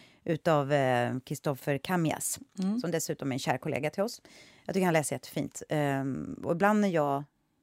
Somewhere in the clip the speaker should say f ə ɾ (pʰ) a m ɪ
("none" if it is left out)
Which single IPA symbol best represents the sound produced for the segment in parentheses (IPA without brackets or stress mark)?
kʰ